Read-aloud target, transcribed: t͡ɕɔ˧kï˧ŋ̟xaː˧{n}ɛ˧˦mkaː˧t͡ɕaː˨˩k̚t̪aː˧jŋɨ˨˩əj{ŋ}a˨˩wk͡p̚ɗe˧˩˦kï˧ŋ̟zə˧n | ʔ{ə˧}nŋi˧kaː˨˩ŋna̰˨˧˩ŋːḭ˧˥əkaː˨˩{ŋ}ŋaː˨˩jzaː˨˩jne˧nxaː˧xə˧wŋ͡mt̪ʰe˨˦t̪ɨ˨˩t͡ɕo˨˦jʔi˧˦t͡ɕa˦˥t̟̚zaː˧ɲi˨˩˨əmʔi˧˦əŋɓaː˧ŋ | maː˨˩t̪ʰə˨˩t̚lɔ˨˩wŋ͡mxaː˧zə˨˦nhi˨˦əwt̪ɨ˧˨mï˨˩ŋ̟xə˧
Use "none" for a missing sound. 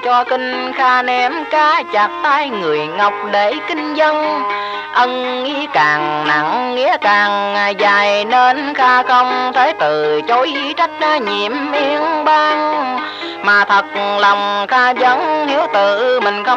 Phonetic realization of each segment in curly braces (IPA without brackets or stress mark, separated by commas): n, ŋ, ə˧, ŋ